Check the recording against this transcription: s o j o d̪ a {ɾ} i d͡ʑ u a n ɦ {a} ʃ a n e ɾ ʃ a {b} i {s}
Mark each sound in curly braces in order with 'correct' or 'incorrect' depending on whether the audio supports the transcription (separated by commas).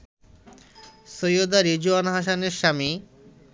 correct, correct, incorrect, incorrect